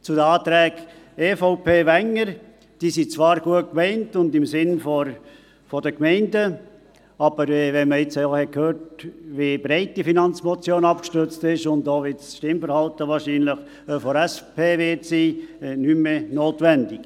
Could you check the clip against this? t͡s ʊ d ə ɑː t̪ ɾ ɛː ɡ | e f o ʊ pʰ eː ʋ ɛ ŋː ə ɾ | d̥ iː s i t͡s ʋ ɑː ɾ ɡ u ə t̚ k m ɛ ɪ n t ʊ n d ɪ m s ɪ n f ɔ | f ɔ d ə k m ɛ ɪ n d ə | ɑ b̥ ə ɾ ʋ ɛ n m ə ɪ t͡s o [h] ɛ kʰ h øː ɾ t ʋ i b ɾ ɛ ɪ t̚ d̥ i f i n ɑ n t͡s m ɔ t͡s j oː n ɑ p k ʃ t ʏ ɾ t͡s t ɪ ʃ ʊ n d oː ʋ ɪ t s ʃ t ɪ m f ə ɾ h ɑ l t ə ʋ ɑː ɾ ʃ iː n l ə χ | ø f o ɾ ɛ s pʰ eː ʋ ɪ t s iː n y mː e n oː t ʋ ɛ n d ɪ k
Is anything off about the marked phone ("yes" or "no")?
no